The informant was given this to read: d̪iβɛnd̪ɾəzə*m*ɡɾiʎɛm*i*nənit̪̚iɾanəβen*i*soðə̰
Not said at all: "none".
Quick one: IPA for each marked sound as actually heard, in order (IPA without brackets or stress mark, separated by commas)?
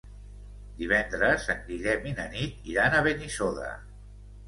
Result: ŋ, i, i